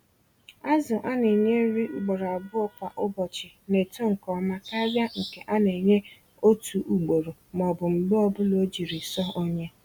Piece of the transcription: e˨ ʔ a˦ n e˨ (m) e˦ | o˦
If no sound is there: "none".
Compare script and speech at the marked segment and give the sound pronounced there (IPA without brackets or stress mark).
ɲ